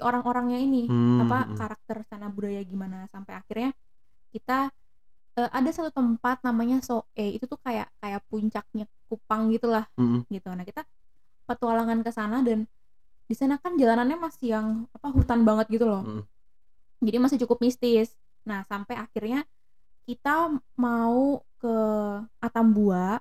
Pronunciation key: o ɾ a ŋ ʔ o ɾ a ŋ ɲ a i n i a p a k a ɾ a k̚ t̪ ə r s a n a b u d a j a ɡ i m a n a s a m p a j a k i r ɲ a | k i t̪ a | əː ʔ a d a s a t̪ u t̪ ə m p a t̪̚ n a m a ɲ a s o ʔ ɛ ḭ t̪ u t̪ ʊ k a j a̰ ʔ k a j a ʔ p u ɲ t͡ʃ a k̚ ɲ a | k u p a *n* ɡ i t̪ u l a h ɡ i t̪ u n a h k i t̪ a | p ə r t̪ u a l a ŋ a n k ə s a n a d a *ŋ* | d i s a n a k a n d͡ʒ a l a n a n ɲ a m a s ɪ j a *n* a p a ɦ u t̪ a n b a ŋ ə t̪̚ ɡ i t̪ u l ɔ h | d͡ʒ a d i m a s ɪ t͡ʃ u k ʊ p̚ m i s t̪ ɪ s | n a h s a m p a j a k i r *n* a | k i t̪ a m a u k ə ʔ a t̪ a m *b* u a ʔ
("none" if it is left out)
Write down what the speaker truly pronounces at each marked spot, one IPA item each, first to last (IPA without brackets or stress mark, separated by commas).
ŋ, n, ŋ, ɲ, b